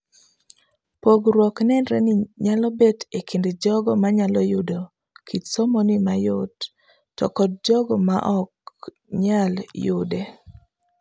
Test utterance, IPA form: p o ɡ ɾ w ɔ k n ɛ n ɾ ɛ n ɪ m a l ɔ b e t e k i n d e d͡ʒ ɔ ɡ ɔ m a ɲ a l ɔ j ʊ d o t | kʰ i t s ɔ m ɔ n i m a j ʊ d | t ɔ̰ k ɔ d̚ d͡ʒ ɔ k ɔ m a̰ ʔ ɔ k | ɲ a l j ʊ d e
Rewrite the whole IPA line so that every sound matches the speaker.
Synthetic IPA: p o ɡ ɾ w ɔ k n ɛ n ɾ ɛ n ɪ ɲ a l ɔ b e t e k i n d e d͡ʒ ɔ ɡ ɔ m a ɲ a l ɔ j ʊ d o | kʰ i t s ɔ m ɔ n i m a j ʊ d | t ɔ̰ k ɔ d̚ d͡ʒ ɔ ɡ ɔ m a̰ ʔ ɔ k | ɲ a l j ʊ d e